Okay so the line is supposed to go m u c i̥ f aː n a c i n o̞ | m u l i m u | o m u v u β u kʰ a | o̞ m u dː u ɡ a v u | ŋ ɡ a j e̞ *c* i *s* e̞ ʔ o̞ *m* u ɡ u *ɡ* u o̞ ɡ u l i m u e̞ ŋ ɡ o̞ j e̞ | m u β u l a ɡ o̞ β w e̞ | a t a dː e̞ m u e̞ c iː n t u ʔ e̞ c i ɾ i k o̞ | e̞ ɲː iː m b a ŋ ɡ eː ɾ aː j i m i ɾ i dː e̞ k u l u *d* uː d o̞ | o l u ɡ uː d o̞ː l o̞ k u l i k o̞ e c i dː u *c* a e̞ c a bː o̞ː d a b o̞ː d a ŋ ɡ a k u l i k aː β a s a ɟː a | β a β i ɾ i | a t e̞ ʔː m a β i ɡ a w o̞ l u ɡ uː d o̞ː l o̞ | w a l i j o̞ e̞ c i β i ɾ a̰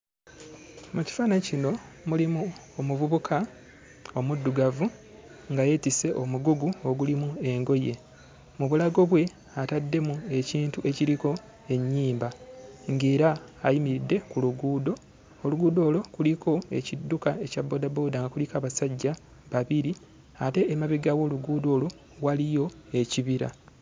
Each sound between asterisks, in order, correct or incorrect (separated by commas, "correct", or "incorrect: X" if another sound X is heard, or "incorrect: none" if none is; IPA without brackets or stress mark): incorrect: t, correct, correct, correct, incorrect: ɡ, incorrect: k